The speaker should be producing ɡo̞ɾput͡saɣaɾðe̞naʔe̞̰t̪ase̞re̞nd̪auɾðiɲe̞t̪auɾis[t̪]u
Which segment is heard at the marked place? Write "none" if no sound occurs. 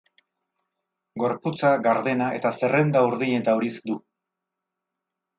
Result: d̪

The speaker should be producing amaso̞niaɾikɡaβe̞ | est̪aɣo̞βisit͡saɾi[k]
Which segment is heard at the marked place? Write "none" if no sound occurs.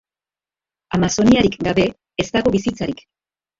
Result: k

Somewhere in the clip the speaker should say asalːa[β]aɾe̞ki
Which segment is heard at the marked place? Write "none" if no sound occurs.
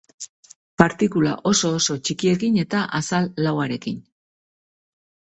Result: w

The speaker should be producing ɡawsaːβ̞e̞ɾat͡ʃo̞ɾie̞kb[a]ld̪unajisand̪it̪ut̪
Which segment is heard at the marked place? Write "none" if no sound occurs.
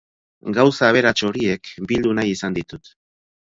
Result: i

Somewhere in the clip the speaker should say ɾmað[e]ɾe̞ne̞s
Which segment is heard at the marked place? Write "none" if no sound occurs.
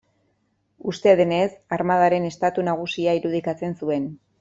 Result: a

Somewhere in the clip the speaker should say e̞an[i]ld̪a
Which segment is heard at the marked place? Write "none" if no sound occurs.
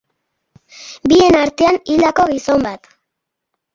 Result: i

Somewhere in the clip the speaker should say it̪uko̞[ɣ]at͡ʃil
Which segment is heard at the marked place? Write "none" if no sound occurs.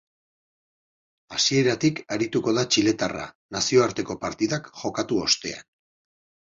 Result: ð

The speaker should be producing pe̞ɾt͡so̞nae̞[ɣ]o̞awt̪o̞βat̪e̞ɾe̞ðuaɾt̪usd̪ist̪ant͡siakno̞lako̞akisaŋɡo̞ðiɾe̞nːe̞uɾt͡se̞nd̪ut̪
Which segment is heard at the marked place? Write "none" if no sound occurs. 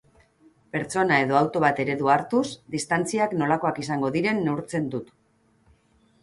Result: ð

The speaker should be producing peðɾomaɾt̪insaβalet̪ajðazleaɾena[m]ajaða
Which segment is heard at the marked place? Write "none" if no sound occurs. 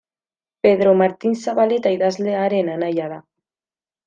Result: n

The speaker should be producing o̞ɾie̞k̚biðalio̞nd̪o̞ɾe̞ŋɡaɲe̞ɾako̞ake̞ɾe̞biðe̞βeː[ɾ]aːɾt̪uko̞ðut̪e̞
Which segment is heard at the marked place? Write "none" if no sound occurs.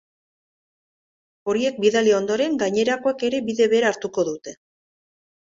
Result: ɾ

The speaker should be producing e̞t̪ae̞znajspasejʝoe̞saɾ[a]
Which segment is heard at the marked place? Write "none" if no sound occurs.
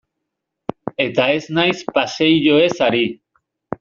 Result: i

